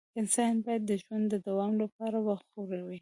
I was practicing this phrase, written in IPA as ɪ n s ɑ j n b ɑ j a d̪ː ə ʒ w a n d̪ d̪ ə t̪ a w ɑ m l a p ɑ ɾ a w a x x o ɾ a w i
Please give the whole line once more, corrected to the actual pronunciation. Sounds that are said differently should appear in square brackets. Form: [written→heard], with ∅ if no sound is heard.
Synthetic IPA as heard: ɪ n s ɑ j n b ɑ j a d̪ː ə ʒ w a n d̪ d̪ ə [t̪→d̪] a w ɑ m l a p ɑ ɾ a w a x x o ɾ a w i